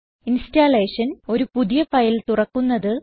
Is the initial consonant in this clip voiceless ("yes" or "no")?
no